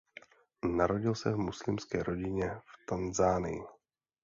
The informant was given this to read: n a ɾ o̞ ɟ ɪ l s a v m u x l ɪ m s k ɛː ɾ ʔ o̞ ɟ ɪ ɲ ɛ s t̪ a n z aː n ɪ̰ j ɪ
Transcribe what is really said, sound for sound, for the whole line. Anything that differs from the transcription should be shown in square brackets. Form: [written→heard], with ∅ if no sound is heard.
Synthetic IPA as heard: n a ɾ o̞ ɟ ɪ l s [a→ɛ] v m u [x→s] l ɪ m s k ɛː ɾ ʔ o̞ ɟ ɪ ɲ ɛ [s→f] t̪ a n z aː n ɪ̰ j ɪ